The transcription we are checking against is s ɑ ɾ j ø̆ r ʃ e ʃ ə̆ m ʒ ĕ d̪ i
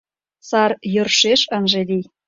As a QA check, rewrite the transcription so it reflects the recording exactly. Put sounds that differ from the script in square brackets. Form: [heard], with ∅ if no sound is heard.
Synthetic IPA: s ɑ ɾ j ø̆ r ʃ e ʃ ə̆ [n] ʒ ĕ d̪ i